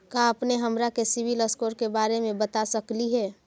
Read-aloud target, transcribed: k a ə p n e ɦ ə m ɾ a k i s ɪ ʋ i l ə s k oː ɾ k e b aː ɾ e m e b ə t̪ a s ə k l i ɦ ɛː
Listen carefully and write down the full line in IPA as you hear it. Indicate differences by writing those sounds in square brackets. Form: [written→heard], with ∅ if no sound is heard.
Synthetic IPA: k a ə p n e ɦ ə m ɾ a k [i→e] s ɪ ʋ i l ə s k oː ɾ k e b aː ɾ e m [e→ẽ] b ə t̪ a s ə k l i ɦ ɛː